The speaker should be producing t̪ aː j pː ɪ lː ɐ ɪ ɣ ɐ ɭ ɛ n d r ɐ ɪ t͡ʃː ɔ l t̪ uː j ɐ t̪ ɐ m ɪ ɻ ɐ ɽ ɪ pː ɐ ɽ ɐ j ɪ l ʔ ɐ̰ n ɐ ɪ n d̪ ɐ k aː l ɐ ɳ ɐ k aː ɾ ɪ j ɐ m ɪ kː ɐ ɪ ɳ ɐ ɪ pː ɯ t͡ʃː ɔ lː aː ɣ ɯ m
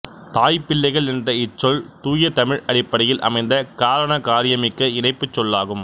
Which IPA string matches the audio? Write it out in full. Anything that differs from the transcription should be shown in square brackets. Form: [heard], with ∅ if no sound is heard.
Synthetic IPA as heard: t̪ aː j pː ɪ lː ɐ ɪ ɣ ɐ ɭ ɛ n d r ɐ ɪ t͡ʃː ɔ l t̪ uː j ɐ t̪ ɐ m ɪ ɻ ɐ ɽ ɪ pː ɐ ɽ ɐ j ɪ l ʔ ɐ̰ [m] ɐ ɪ n d̪ ɐ k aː [ɾ] ɐ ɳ ɐ k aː ɾ ɪ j ɐ m ɪ kː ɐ ɪ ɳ ɐ ɪ pː ɯ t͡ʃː ɔ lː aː ɣ ɯ m